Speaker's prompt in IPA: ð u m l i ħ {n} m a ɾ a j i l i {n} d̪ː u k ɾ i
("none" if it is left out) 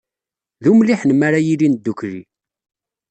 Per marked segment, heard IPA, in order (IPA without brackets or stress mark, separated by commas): n, n